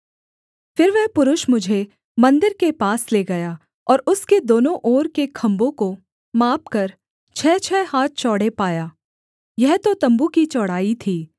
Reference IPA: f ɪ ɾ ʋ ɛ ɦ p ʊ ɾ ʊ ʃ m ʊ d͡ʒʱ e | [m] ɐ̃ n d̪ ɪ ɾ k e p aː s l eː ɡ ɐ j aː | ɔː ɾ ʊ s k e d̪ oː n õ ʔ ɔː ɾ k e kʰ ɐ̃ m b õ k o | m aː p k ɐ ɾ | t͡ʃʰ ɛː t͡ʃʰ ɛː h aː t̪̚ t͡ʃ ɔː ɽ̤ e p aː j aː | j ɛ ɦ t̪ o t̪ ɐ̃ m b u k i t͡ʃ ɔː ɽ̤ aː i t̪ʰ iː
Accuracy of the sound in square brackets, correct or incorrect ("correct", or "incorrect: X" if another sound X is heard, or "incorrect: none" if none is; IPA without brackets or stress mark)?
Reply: correct